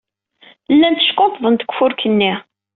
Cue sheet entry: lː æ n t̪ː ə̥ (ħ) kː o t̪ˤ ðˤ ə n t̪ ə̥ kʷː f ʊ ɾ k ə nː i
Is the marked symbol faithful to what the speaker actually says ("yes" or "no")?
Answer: no